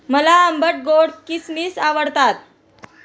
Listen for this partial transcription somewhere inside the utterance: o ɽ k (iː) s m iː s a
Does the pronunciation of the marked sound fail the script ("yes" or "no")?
yes